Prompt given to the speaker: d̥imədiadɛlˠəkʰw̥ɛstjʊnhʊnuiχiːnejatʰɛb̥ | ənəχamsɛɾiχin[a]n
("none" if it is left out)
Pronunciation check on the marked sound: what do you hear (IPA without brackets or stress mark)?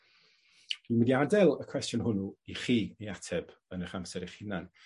a